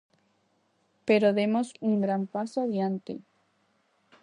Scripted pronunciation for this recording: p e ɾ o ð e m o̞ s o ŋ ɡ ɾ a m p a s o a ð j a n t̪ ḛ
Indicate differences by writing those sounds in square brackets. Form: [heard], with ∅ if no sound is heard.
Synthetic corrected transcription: p e ɾ o ð e m o̞ s [u] ŋ ɡ ɾ a m p a s o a ð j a n t̪ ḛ